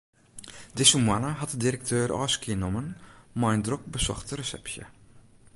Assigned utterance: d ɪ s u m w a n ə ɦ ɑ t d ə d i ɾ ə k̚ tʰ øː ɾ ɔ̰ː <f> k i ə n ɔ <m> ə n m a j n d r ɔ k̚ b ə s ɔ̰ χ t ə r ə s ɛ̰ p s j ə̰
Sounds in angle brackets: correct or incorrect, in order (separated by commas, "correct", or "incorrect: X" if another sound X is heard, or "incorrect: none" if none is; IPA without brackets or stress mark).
incorrect: s, correct